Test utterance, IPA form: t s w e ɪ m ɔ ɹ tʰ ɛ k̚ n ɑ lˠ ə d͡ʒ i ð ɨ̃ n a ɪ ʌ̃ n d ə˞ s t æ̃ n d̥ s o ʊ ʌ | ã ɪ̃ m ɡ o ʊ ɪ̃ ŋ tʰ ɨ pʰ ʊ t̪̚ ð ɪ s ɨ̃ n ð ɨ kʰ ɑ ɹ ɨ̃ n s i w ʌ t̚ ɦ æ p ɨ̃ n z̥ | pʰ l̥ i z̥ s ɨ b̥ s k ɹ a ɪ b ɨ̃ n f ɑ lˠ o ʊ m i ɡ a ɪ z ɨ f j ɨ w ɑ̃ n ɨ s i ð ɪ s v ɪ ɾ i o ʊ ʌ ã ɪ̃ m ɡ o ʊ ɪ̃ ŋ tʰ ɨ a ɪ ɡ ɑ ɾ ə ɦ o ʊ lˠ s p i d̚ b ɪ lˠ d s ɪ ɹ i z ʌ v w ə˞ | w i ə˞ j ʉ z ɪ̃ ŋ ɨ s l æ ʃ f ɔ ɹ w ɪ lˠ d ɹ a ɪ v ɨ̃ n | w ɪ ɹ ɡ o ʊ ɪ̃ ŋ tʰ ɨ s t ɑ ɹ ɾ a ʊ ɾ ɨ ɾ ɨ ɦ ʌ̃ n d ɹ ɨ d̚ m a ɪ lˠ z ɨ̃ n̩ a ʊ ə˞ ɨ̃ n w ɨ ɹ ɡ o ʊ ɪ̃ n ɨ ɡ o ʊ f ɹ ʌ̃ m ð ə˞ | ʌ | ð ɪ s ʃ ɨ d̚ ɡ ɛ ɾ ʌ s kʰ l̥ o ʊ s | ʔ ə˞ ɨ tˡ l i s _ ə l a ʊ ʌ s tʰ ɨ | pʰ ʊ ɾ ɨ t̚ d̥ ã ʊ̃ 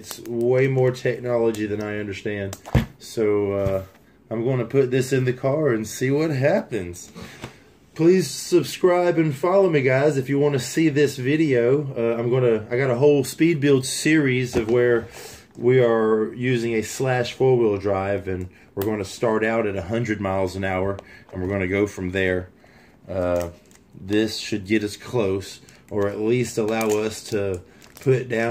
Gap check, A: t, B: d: A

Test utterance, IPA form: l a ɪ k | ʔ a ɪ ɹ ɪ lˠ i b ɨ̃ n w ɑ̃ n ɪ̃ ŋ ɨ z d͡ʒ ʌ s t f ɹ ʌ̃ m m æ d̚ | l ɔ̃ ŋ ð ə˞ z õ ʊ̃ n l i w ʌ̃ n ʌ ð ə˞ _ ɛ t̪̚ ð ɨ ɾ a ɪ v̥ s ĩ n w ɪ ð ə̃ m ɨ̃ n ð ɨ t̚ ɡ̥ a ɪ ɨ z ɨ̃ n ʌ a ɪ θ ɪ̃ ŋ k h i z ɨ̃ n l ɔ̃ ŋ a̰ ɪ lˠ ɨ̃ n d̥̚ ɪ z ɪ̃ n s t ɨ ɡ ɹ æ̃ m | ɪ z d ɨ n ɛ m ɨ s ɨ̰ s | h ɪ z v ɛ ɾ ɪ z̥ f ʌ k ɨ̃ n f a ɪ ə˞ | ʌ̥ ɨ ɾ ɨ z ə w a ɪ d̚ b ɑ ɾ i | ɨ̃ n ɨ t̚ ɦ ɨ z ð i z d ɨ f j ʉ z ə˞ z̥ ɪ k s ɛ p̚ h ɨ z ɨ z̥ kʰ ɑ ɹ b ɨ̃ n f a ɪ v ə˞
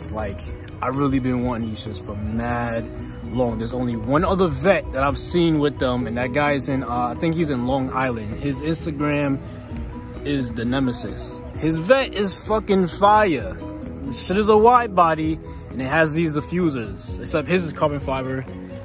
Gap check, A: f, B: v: B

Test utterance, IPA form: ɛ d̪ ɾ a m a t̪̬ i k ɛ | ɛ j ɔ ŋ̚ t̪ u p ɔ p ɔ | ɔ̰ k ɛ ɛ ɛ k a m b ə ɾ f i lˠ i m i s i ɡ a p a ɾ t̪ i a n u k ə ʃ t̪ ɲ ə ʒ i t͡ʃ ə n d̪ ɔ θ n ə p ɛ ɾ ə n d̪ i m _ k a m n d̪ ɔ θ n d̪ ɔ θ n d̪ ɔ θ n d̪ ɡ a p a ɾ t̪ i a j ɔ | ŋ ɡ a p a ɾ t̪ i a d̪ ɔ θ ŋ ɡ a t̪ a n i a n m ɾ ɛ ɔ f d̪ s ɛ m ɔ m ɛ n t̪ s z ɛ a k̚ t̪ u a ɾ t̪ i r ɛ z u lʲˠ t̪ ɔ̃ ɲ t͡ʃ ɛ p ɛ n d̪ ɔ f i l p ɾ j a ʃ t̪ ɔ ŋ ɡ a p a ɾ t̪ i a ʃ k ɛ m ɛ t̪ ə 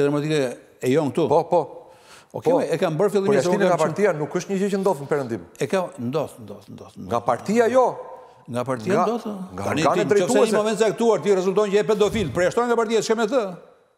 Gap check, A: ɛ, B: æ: A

